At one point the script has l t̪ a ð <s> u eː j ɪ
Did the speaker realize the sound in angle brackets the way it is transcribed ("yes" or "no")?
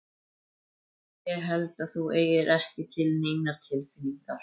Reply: no